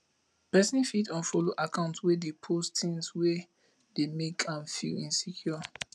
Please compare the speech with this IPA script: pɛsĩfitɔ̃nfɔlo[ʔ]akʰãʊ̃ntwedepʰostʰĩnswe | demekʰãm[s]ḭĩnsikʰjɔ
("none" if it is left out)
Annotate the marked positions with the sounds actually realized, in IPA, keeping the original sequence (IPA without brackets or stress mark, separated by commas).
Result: ʔ, f